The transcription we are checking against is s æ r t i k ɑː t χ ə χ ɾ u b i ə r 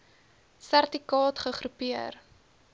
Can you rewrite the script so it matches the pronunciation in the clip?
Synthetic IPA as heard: s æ r t i k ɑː t χ ə χ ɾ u p i ə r